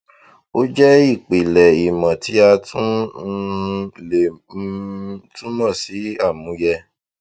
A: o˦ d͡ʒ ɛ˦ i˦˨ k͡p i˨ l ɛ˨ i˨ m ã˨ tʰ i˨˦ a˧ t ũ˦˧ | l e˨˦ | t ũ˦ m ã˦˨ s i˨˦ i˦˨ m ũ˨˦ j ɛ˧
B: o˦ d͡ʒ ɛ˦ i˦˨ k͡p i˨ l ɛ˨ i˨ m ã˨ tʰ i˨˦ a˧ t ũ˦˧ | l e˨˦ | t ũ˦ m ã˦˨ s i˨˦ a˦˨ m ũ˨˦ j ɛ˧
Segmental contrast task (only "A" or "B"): B